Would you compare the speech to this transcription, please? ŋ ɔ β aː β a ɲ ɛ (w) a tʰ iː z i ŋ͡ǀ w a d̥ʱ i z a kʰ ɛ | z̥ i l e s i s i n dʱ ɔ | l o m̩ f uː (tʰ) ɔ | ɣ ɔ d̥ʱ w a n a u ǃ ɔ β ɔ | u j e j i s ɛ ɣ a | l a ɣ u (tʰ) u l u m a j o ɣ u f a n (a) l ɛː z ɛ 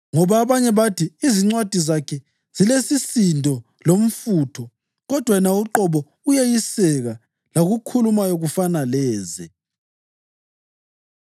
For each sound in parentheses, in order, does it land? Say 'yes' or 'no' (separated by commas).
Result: no, yes, no, yes